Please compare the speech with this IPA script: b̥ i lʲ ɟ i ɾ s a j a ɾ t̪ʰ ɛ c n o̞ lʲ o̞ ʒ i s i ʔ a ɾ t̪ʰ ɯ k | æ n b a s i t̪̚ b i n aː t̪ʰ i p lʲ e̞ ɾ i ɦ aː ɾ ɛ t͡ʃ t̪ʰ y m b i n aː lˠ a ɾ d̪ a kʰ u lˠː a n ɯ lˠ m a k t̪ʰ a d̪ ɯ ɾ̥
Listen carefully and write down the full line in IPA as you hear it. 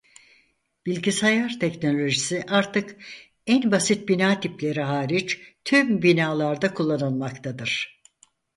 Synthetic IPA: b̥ i lʲ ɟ i s a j a ɾ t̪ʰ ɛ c n o̞ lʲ o̞ ʒ i s i ʔ a ɾ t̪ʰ ɯ k | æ n b a s i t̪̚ b i n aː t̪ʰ i p lʲ e̞ ɾ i ɦ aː ɾ i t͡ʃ t̪ʰ y m b i n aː lˠ a ɾ d̪ a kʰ u lˠː a n ɯ lˠ m a k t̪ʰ a d̪ ɯ ɾ̥